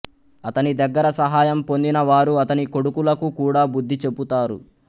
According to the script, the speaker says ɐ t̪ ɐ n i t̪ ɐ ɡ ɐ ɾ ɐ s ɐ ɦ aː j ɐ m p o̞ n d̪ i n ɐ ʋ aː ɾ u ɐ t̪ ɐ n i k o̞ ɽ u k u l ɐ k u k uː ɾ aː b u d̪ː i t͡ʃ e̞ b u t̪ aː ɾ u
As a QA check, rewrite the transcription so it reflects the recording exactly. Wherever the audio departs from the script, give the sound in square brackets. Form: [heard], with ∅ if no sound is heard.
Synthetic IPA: ɐ t̪ ɐ n i [d̪] ɐ [ɡː] ɐ ɾ ɐ s ɐ ɦ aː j ɐ m p o̞ n d̪ i n ɐ ʋ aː ɾ u ɐ t̪ ɐ n i k o̞ ɽ u k u l ɐ k u k uː [ɽ] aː b u d̪ː i t͡ʃ e̞ b u t̪ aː ɾ u